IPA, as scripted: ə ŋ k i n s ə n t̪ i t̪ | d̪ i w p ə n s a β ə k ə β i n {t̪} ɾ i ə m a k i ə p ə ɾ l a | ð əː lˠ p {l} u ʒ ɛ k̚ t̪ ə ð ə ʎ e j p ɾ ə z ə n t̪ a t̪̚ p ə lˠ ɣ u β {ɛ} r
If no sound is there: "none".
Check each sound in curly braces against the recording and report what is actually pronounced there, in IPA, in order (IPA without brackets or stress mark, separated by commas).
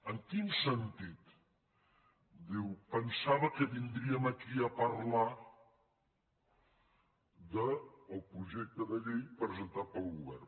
d̪, ɾ, ɛ